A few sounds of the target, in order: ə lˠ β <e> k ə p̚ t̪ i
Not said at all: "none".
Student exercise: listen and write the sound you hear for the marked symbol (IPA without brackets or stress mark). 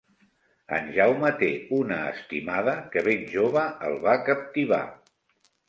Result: a